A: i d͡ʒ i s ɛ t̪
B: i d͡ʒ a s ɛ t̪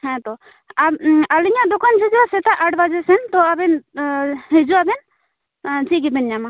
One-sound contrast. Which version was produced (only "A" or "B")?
B